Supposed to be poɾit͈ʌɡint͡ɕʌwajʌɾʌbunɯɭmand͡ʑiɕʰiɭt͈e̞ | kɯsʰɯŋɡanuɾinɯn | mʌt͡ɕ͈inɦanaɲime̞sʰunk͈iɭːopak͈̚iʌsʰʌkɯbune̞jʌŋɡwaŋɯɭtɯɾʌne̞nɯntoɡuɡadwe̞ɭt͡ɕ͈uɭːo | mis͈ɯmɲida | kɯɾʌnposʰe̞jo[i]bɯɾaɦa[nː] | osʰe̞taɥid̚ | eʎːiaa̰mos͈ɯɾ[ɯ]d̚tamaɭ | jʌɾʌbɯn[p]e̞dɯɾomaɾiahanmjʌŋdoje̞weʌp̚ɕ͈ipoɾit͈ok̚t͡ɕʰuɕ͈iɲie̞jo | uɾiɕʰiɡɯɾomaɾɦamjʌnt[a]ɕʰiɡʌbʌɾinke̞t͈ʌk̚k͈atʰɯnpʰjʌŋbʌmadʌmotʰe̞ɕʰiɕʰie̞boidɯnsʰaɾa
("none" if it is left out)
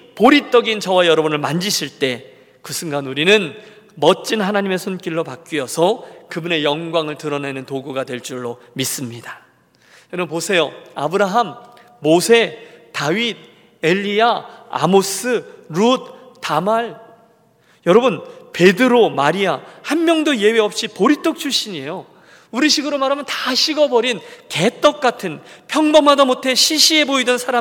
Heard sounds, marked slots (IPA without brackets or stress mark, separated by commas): a, mː, u, p, a